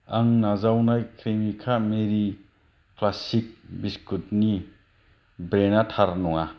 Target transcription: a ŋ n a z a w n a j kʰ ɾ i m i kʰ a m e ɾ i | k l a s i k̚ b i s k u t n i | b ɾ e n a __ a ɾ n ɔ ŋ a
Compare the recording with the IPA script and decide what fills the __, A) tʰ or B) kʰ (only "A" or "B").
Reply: A